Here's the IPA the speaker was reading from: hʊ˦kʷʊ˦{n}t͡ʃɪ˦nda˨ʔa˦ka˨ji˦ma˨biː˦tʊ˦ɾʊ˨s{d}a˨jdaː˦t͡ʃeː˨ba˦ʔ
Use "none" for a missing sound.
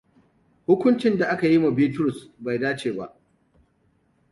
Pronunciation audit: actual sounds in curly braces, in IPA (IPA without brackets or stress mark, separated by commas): n, b